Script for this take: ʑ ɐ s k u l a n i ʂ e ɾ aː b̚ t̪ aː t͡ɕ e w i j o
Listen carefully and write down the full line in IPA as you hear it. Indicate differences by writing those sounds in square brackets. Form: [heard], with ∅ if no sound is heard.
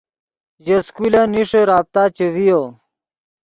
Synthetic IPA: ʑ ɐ s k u l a n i ʂ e ɾ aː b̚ t̪ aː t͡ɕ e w i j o